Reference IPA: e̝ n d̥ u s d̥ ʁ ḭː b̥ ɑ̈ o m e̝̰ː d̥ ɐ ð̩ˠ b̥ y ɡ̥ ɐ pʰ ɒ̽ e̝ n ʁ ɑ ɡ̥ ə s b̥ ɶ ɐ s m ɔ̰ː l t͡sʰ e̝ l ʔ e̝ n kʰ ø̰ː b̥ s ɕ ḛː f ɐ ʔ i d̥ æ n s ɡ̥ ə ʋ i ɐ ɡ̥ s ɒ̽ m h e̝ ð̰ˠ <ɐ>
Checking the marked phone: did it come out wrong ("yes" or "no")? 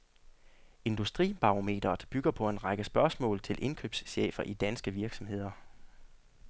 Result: no